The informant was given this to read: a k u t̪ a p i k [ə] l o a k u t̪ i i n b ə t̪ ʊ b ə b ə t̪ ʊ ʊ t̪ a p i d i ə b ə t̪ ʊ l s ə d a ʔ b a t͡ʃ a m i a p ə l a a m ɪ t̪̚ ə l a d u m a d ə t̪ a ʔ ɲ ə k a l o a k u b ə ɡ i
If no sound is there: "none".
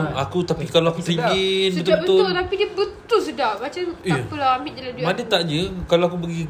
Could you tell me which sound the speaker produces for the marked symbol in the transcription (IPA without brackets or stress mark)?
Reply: a